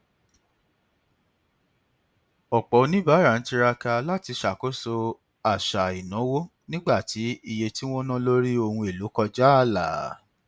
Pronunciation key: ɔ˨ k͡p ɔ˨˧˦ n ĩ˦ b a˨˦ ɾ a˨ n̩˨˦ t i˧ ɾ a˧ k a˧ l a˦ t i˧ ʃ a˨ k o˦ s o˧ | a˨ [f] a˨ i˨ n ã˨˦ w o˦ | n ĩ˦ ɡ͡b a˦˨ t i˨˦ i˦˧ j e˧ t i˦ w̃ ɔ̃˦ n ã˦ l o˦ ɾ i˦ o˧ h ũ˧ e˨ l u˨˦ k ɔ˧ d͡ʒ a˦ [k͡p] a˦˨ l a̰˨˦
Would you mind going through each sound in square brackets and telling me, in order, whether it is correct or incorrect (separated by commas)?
incorrect, incorrect